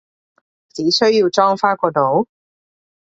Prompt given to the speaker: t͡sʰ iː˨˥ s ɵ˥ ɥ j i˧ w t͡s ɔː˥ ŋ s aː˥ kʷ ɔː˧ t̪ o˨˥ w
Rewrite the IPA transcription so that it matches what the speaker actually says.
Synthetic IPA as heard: t͡s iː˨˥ s ɵ˥ ɥ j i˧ w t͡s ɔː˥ ŋ f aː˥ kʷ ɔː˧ t̪ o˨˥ w